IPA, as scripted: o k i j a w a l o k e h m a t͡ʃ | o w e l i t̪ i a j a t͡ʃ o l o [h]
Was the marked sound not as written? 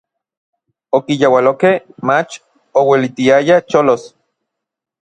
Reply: yes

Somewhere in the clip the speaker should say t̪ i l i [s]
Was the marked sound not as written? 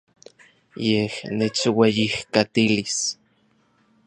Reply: no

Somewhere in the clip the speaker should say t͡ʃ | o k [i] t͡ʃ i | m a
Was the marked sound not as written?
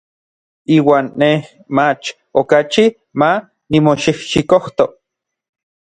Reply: yes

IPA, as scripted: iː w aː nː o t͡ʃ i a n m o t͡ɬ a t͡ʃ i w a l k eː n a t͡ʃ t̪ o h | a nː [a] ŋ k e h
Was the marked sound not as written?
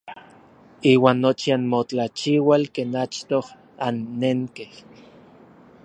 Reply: yes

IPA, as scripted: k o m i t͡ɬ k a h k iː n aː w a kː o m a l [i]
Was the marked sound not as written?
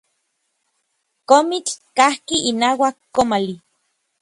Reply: no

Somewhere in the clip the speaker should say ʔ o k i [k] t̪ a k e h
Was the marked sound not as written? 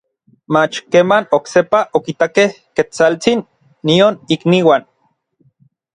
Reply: yes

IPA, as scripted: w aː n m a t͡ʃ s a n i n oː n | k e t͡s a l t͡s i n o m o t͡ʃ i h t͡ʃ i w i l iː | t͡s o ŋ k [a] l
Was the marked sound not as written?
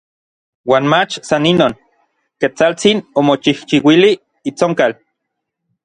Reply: no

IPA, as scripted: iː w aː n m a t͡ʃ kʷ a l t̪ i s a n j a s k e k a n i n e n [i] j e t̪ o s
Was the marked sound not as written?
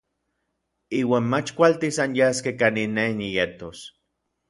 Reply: no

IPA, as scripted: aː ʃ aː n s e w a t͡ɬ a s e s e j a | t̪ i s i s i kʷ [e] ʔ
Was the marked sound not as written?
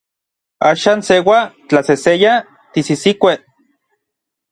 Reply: no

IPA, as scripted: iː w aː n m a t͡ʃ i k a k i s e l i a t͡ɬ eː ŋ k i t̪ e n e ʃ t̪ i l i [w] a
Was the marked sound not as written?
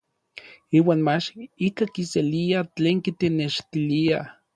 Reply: yes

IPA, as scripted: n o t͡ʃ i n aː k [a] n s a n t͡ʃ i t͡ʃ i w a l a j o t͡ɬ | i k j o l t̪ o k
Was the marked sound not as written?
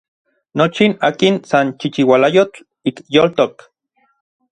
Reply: yes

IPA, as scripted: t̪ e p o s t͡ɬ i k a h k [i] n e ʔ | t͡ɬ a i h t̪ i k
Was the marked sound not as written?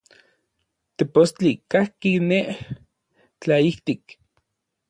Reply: no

